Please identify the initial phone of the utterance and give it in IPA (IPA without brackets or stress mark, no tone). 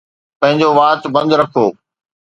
p